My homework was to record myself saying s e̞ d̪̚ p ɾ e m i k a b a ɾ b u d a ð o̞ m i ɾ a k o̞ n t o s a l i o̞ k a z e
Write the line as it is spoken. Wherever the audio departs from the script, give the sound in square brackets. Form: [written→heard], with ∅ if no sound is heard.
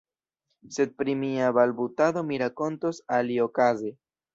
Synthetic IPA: s e̞ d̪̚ p ɾ [e→i] m i [k→∅] a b a [ɾ→l] b u [d→t] a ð o̞ m i ɾ a k o̞ n t o s a l i o̞ k a z e